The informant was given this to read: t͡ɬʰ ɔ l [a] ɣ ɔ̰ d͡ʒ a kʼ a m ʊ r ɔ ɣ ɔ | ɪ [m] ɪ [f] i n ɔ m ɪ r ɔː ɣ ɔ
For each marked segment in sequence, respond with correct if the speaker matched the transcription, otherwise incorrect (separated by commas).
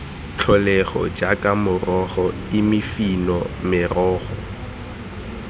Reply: incorrect, correct, correct